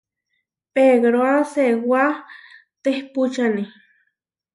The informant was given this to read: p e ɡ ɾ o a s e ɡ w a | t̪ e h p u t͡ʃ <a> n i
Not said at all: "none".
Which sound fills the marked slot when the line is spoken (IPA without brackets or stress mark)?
a